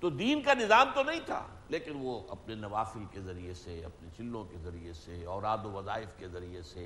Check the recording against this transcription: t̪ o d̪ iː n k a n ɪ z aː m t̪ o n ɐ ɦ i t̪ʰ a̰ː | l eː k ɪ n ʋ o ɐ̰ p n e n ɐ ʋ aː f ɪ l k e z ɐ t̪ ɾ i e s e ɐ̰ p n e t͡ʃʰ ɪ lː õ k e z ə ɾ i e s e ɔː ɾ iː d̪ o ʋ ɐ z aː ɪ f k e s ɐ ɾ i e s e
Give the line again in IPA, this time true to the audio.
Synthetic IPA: t̪ o d̪ iː n k a n ɪ z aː m t̪ o n ɐ ɦ ĩ t̪ʰ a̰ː | l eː k ɪ n ʋ o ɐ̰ p n e n ɐ ʋ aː f ɪ l k e z ɐ ɾ i e s e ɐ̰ p n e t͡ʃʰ ɪ lː õ k e z ɐ ɾ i e s e ɔː ɾ aː d̪ o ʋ ɐ z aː ɪ f k e z ɐ ɾ i e s e